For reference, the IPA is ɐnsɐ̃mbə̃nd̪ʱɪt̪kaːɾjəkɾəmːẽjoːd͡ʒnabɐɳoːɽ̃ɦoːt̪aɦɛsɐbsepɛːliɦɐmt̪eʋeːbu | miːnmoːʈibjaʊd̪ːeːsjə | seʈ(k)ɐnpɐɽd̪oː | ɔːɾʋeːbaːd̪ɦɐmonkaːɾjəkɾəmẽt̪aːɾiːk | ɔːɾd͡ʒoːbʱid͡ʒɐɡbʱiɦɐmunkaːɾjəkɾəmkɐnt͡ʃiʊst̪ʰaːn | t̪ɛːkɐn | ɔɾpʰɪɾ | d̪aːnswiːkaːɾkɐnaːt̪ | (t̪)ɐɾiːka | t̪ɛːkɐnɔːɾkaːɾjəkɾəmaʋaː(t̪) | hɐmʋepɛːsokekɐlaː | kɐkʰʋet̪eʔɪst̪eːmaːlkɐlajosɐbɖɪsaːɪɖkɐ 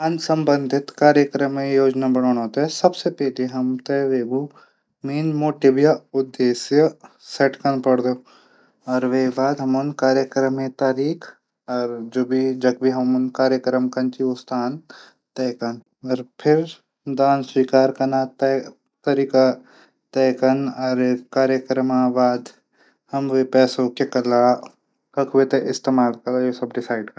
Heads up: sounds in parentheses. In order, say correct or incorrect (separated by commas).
correct, correct, incorrect